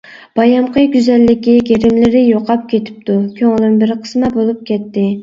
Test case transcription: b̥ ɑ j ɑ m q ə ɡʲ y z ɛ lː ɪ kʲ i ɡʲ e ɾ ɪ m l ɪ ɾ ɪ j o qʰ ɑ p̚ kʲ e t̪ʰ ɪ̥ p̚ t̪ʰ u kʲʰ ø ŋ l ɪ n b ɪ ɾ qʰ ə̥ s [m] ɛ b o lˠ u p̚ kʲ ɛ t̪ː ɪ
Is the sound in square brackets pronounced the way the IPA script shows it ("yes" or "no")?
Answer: yes